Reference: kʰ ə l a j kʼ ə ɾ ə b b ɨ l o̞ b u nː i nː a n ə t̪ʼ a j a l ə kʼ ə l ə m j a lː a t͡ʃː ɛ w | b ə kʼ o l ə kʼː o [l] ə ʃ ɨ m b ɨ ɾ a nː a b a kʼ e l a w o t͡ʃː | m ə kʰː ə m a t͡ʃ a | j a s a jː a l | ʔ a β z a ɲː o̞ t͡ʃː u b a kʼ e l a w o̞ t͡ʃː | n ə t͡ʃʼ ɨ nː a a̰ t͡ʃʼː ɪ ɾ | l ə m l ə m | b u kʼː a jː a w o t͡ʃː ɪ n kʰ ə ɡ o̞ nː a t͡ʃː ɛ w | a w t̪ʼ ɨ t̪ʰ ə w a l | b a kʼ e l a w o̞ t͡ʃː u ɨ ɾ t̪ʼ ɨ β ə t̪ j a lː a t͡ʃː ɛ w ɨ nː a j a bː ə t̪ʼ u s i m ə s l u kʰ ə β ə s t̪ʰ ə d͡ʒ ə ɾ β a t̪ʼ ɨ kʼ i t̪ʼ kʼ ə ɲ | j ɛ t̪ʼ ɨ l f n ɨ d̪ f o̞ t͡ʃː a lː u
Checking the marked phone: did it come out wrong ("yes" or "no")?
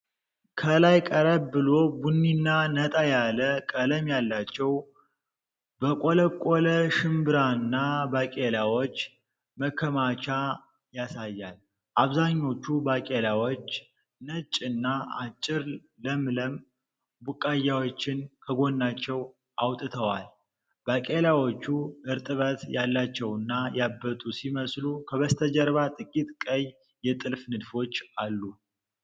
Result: no